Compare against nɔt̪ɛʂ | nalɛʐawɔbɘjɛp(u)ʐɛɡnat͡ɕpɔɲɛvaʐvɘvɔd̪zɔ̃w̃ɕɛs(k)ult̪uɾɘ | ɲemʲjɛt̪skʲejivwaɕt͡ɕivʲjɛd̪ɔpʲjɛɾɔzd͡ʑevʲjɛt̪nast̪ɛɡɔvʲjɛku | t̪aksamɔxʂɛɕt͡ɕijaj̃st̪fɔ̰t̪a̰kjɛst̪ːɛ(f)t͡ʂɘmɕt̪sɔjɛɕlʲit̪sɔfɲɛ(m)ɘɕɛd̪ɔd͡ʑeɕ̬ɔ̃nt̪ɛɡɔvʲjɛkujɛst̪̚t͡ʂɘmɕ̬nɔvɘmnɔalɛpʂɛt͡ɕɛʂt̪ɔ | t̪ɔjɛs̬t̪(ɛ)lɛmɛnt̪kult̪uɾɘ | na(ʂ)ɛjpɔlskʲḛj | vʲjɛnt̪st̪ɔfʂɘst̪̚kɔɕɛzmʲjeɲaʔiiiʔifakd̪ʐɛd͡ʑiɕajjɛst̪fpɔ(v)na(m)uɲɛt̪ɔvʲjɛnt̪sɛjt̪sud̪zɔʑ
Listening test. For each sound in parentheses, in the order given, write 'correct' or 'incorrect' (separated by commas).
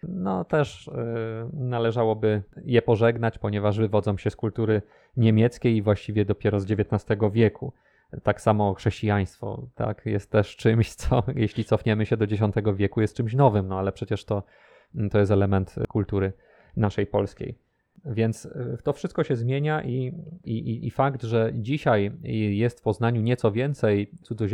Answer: incorrect, correct, incorrect, correct, correct, correct, incorrect, incorrect